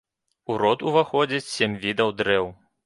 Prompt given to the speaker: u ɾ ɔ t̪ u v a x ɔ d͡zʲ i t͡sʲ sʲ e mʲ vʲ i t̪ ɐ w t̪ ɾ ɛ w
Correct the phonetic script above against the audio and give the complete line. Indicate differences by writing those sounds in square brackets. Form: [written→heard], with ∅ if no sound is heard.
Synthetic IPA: u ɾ ɔ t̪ u v a x ɔ d͡zʲ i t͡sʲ sʲ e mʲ vʲ i [t̪→d̪] ɐ w [t̪→d̪] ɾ ɛ w